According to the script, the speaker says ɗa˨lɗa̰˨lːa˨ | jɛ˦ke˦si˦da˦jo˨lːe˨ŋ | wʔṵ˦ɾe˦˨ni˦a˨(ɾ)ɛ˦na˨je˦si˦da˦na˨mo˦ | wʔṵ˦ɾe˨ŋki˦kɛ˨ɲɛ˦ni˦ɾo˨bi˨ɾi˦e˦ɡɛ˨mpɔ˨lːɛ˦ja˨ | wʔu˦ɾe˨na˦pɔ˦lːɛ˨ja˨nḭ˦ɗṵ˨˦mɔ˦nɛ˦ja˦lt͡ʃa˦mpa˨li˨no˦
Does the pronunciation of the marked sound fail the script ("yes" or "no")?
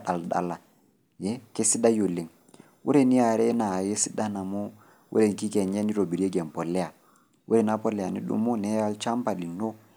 no